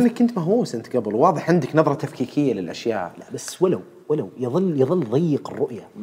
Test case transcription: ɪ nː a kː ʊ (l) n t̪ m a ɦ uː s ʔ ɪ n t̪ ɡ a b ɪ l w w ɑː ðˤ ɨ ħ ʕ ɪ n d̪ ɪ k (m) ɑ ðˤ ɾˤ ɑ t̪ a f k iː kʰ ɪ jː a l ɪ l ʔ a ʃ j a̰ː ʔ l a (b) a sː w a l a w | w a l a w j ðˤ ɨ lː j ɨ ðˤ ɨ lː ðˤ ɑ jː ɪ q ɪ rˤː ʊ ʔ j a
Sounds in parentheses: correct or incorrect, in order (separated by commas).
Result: incorrect, incorrect, correct